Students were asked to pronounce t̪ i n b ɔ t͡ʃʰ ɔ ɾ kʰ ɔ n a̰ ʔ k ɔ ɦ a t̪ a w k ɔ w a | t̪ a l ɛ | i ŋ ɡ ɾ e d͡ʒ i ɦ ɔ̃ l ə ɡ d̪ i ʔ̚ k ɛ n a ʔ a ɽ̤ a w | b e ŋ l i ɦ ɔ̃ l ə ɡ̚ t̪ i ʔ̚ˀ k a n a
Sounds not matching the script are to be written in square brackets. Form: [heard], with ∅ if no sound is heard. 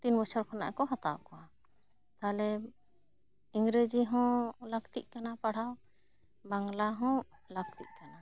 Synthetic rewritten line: t̪ i n b ɔ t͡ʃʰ ɔ ɾ kʰ ɔ n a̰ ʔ k ɔ ɦ a t̪ a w k ɔ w a | t̪ a l ɛ | i ŋ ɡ ɾ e d͡ʒ i ɦ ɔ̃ l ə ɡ [t̪] i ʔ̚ k [a] n a [p] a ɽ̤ a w | b [a] ŋ l [a] ɦ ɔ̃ l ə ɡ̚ t̪ i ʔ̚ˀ k a n a